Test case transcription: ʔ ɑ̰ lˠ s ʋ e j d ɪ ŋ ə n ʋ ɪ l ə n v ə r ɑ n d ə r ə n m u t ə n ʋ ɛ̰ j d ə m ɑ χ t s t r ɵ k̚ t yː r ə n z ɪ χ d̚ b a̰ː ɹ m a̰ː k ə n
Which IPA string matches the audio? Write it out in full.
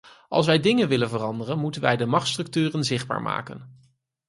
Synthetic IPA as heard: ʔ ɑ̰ lˠ s ʋ ɛ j d ɪ ŋ ə n ʋ ɪ l ə n v ə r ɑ n d ə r ə n m u t ə n ʋ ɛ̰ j d ə m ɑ χ t s t r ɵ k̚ t yː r ə n z ɪ χ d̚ b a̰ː ɹ m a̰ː k ə n